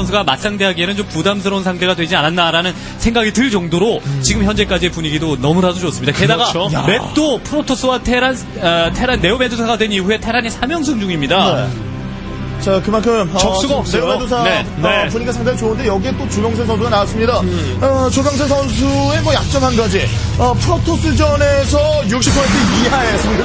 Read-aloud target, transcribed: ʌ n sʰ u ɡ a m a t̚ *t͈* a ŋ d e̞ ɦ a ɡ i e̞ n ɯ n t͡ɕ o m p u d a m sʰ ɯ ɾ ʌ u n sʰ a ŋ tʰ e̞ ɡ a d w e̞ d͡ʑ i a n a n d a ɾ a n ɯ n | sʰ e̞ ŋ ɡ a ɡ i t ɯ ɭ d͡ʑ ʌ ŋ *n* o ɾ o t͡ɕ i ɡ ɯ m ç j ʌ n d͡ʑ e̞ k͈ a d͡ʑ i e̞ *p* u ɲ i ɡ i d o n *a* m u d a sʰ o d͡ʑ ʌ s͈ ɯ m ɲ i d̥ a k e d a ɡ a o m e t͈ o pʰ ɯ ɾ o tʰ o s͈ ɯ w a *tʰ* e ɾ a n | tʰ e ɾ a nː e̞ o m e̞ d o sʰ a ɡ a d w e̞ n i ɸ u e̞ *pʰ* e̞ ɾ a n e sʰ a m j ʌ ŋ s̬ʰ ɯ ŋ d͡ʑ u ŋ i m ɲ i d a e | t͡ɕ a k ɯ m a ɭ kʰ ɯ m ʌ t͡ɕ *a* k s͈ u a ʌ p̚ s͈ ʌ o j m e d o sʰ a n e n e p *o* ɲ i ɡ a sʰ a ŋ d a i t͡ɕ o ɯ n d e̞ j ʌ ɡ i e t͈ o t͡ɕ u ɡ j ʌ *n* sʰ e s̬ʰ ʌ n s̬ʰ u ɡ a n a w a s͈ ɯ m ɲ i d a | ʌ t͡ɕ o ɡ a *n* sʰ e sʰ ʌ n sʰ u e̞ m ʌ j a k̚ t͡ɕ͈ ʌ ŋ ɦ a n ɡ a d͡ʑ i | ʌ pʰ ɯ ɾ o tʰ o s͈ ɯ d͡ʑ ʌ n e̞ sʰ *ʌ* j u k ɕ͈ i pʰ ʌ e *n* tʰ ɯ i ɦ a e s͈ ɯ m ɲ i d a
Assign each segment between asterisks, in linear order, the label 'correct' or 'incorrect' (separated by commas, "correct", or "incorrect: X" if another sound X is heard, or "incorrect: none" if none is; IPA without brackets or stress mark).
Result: incorrect: s͈, incorrect: d, correct, incorrect: ʌ, correct, incorrect: tʰ, incorrect: ʌ, incorrect: u, incorrect: ŋ, incorrect: ŋ, correct, correct